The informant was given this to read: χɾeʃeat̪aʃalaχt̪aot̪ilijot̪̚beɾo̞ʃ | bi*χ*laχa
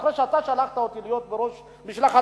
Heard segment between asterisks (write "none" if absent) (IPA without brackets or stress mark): ʃ